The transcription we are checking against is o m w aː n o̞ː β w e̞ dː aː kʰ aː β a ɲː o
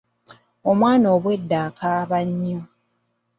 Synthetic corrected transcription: o m w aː n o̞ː β w e̞ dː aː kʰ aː β a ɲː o